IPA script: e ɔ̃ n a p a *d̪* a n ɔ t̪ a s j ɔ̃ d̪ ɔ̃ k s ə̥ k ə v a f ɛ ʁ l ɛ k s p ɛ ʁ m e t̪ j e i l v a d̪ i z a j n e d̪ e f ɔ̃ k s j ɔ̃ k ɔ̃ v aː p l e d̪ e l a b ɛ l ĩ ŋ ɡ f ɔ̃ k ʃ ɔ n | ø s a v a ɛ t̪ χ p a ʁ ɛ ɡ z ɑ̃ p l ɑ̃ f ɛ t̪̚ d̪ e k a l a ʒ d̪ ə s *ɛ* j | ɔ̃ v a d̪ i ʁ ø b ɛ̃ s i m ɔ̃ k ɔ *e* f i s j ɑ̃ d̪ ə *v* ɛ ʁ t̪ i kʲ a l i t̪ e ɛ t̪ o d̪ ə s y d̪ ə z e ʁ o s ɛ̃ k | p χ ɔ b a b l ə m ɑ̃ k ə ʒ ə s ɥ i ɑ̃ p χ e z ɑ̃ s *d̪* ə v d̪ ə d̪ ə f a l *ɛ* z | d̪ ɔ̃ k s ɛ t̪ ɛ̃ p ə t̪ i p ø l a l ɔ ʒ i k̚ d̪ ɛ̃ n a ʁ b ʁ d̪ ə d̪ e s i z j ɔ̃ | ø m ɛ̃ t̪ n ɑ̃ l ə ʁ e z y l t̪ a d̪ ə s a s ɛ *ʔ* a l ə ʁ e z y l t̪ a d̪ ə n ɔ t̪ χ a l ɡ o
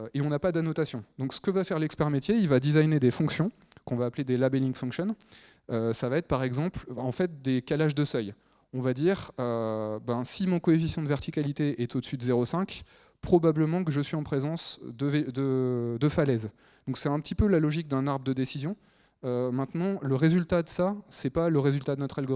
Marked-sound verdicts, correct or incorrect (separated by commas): correct, incorrect, correct, correct, correct, correct, incorrect